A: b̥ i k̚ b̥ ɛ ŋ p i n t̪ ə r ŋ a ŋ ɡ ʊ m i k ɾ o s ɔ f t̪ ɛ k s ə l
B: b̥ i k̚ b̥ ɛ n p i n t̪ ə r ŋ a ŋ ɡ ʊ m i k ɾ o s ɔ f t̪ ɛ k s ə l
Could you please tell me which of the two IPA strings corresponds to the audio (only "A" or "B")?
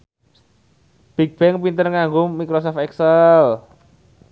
A